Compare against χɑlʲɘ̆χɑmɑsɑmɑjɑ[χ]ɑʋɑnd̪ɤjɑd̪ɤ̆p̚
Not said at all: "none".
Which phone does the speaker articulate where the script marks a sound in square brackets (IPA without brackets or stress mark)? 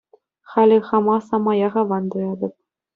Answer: ʁ